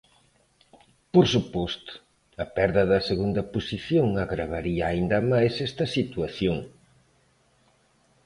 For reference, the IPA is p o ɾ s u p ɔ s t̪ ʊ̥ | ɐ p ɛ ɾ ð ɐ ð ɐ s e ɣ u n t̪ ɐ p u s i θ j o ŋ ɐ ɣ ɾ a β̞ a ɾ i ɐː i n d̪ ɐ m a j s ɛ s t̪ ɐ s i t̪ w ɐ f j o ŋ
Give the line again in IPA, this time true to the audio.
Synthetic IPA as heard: p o ɾ s u p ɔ s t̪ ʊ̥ | ɐ p ɛ ɾ ð ɐ ð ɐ s e ɣ u n d̪ ɐ p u s i θ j o ŋ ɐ ɣ ɾ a β̞ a ɾ i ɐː i n d̪ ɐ m a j s ɛ s t̪ ɐ s i t̪ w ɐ θ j o ŋ